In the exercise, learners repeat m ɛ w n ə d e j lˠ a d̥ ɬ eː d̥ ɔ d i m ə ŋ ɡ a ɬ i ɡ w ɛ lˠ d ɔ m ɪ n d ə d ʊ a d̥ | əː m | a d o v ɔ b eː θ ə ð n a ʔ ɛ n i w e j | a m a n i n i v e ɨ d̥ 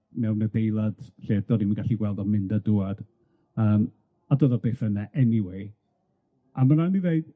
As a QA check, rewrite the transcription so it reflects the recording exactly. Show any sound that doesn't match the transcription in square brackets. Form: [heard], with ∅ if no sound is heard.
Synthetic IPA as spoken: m ɛ w n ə d e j lˠ a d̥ ɬ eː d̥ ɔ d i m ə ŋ ɡ a ɬ i ɡ w ɛ lˠ d ɔ m ɪ n d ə d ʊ a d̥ | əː m | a d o [ð] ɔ b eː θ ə [∅] n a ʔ ɛ n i w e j | a m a n [a] n i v e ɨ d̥